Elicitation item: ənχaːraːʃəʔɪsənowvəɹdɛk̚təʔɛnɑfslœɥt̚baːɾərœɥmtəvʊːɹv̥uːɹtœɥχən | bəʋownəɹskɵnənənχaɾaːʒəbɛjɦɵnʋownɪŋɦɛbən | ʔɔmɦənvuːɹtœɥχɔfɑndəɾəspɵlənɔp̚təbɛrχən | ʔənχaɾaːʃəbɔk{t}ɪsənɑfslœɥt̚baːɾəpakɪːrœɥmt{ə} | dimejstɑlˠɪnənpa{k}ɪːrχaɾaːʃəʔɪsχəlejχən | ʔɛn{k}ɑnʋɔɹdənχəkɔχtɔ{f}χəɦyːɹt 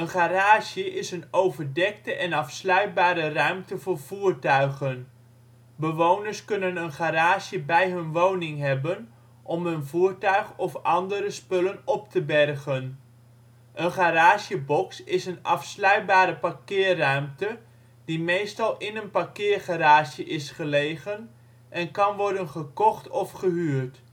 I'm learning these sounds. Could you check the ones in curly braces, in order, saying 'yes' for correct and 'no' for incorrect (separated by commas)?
no, yes, yes, yes, yes